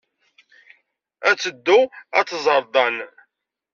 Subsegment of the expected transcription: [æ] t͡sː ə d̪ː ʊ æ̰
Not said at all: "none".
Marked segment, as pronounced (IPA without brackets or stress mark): æ